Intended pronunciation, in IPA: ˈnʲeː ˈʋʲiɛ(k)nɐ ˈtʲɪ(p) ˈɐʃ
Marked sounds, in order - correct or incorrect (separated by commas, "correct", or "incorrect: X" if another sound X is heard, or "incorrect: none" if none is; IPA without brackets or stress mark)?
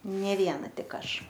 incorrect: none, incorrect: k